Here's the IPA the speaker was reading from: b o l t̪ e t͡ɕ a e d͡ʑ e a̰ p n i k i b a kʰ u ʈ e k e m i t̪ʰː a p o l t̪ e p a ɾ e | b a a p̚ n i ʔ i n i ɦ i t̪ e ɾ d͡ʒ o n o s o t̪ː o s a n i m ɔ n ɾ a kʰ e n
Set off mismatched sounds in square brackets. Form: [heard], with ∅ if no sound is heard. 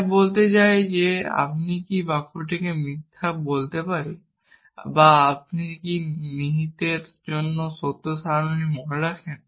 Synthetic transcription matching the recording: b o l t̪ e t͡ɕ a e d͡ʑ e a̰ p n i k i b a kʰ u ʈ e k e m i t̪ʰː a [b] o l t̪ e p a ɾ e | b a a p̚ n i [k] i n i ɦ i t̪ e ɾ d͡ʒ o [nː] o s o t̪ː o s a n i m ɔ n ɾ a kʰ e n